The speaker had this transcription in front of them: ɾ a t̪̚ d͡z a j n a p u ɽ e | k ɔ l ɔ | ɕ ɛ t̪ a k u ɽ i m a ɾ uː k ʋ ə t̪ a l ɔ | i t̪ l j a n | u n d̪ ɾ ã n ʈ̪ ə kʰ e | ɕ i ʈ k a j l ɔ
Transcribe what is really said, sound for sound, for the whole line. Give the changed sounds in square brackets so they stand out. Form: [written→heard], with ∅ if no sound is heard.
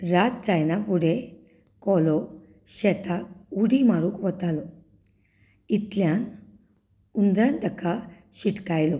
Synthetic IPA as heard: ɾ a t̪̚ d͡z a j n a p u ɽ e | k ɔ l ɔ | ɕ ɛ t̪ a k u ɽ i m a ɾ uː k ʋ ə t̪ a l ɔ | i t̪ l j a n | u n d̪ ɾ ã n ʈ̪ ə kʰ [e→a] | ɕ i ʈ k a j l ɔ